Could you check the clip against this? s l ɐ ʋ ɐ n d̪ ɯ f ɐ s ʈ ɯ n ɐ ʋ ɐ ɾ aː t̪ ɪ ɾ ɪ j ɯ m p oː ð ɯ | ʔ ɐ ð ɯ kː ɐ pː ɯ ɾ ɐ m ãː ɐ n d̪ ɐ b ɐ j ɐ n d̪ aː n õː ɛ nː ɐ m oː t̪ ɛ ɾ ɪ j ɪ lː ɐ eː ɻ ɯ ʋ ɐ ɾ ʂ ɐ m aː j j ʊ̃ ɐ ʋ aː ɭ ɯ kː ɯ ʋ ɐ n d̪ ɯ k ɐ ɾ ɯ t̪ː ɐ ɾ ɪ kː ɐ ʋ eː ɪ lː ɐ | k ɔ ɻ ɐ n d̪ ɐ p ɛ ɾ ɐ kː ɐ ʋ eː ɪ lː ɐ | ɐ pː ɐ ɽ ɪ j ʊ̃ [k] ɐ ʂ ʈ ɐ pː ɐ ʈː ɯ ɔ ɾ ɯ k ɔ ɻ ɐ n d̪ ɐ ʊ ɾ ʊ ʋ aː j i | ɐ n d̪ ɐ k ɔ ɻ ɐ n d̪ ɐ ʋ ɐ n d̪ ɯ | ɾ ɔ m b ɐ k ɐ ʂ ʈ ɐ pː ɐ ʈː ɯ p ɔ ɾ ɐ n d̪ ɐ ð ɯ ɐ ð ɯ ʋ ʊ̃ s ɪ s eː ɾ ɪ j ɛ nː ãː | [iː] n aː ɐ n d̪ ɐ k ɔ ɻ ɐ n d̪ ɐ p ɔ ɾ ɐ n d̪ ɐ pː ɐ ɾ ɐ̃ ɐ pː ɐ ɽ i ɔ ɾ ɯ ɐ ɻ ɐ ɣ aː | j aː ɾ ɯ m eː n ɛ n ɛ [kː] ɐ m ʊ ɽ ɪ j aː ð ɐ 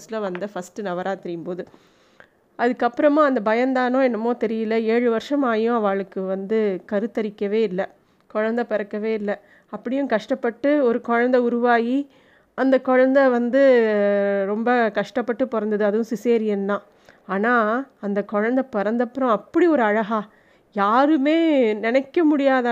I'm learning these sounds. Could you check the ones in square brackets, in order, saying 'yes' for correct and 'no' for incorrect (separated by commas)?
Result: yes, no, yes